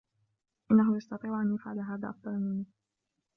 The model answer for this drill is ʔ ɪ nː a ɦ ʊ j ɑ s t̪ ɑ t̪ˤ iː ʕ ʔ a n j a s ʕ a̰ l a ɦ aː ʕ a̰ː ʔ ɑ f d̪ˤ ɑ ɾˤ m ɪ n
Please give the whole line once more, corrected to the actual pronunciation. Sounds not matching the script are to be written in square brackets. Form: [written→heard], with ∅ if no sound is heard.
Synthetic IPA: ʔ ɪ nː a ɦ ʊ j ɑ s t̪ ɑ t̪ˤ iː ʕ ʔ a n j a [s→f] ʕ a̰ l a ɦ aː [ʕ→ð] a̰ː ʔ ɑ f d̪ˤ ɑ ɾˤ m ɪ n